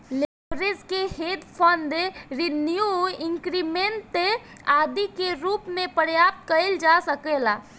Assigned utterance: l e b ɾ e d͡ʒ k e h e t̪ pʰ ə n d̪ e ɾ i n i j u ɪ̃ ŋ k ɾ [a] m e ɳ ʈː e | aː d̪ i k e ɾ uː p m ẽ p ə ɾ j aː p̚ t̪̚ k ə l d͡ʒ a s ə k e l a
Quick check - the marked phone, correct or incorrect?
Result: incorrect